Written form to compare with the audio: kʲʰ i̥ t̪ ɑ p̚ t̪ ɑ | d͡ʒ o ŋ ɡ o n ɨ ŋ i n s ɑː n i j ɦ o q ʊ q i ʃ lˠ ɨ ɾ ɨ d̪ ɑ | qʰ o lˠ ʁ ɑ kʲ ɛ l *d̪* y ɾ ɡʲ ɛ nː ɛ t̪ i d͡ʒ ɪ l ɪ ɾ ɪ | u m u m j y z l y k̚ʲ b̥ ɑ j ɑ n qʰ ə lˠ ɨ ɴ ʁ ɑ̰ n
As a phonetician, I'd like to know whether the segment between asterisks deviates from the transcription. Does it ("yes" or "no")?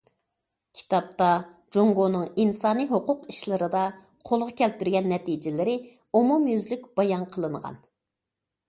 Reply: yes